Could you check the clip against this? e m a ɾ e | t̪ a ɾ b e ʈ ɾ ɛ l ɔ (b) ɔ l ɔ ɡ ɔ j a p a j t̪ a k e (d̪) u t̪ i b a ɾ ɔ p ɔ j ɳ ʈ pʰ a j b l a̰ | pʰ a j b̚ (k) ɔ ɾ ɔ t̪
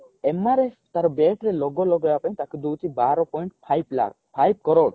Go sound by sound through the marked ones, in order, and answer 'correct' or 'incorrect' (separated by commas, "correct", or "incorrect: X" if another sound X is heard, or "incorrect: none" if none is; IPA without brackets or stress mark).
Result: incorrect: ɡ, correct, correct